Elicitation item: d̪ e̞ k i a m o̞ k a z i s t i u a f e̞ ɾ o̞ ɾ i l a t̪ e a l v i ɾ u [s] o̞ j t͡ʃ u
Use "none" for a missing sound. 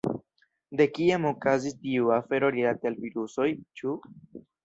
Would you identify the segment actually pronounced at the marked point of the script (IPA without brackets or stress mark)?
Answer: s